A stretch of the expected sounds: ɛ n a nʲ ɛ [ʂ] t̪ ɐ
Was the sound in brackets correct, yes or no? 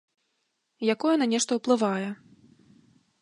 yes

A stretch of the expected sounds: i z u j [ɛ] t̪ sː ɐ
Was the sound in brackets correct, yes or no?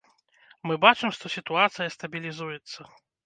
yes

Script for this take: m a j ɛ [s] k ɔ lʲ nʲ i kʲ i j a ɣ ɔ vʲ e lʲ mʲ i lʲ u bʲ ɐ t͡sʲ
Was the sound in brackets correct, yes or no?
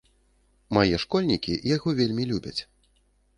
no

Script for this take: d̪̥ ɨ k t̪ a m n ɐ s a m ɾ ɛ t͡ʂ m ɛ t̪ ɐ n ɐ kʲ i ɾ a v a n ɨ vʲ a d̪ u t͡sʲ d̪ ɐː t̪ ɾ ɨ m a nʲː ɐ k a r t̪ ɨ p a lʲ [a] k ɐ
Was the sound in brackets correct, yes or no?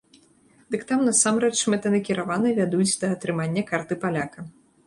yes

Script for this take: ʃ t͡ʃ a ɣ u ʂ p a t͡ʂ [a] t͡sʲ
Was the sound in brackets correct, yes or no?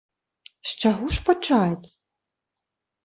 yes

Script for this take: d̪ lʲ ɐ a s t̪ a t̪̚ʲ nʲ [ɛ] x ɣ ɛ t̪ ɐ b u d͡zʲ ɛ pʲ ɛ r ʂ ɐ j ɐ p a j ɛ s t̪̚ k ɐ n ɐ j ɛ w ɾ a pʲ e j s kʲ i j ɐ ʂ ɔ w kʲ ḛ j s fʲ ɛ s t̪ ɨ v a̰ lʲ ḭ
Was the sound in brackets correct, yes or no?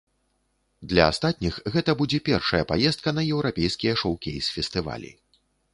no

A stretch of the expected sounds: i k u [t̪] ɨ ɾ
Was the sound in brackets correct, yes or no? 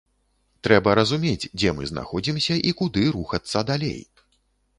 no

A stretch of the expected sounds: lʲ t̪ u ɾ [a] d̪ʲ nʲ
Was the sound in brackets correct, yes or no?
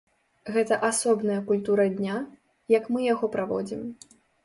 no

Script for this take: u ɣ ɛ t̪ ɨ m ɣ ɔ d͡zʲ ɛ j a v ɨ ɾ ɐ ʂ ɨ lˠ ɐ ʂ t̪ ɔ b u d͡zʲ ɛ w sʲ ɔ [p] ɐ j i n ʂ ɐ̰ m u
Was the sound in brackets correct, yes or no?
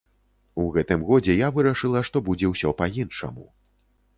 yes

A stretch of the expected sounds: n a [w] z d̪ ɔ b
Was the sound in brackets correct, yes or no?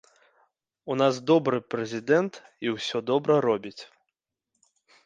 no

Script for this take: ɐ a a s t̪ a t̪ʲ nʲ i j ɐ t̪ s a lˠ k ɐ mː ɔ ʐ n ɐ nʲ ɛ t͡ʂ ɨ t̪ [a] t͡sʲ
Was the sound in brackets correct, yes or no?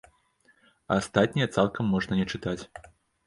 yes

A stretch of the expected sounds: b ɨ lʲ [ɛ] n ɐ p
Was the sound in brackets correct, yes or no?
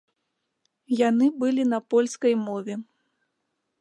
no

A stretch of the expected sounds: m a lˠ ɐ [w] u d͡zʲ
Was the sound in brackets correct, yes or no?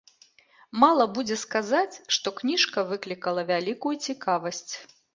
no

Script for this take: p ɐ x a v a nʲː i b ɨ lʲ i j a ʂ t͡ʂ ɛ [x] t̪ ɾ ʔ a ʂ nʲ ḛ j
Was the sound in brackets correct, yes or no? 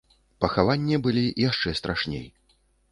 no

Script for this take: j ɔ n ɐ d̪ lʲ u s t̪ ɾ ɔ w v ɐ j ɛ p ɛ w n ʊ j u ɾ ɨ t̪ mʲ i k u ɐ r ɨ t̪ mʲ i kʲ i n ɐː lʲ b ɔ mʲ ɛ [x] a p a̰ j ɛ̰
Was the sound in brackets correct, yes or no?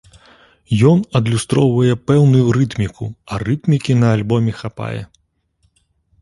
yes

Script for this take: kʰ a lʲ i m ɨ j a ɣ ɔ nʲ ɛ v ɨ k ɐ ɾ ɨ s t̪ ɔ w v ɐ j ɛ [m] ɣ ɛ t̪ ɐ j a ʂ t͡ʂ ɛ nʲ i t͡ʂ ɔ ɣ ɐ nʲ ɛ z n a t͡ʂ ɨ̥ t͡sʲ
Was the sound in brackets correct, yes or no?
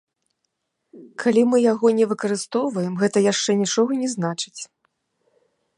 yes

